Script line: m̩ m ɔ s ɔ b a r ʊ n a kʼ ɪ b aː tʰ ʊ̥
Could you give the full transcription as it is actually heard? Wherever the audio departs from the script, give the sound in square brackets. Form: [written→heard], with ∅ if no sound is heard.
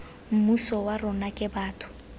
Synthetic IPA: m̩ m [ɔ→u] s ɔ [b→w] a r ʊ n a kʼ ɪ b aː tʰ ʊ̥